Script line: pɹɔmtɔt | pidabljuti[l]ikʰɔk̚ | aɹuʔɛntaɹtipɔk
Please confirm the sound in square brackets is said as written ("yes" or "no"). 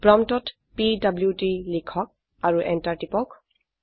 yes